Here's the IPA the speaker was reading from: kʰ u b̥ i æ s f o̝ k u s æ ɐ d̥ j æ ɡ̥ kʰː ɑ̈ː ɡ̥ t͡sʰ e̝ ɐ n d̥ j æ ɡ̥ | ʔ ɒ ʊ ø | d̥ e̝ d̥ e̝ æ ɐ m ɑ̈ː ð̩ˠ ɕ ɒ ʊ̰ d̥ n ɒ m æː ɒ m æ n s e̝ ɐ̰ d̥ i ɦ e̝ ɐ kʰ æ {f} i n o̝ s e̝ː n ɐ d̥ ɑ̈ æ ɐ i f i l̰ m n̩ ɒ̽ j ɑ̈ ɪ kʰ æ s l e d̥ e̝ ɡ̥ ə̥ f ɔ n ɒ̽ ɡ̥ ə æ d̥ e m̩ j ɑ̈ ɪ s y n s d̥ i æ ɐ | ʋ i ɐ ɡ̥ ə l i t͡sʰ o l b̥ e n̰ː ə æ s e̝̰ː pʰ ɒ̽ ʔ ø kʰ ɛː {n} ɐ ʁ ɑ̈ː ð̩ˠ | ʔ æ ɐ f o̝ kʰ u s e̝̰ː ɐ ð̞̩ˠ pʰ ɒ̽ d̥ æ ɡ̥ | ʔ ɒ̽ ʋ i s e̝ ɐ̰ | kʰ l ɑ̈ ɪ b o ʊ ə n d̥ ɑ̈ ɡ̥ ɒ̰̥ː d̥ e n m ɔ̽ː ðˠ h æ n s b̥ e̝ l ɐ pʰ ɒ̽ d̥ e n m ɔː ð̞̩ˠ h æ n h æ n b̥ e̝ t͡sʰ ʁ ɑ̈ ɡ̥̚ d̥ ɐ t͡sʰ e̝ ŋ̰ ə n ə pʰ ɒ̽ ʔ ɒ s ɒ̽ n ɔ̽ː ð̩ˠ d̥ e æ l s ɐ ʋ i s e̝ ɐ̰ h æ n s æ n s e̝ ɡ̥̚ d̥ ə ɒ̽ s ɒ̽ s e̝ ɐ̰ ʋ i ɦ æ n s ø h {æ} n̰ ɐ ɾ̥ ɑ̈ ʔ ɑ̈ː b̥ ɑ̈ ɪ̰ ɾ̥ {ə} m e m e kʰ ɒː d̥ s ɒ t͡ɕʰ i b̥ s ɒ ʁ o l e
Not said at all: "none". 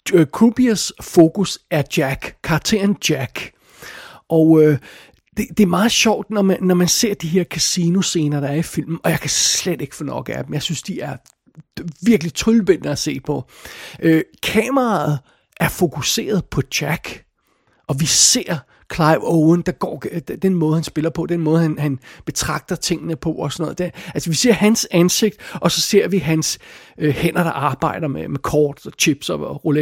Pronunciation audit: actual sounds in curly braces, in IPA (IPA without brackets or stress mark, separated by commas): s, m, e, ɐ